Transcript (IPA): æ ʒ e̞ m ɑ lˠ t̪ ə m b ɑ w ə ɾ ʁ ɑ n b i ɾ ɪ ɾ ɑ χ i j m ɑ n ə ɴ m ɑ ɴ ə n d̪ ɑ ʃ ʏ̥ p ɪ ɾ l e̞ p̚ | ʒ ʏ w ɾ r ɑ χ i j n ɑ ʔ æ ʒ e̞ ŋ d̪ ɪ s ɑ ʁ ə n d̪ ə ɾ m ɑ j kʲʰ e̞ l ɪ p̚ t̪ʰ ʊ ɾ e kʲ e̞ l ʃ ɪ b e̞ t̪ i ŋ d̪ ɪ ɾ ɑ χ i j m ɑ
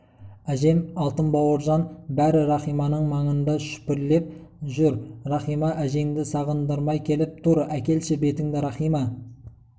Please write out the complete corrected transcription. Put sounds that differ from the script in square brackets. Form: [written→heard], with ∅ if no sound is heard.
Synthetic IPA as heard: æ ʒ e̞ m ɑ lˠ t̪ ə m b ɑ w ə ɾ [ʁ→ʒ] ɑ n b [i→æ] ɾ ɪ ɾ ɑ χ i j m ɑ n ə ɴ m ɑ ɴ ə n d̪ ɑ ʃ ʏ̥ p ɪ ɾ l e̞ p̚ | ʒ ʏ [w→∅] ɾ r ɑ χ i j [n→m] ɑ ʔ æ ʒ e̞ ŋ d̪ ɪ s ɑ ʁ ə n d̪ ə ɾ m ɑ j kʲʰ e̞ l ɪ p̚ t̪ʰ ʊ ɾ [e→æ] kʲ e̞ l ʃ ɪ b e̞ t̪ [i→ɪ] ŋ d̪ ɪ ɾ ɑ χ i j m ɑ